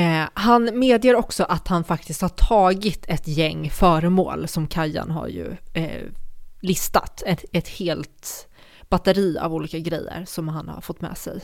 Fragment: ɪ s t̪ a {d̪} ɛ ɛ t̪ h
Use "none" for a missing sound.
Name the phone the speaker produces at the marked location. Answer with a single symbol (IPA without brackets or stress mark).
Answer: t̪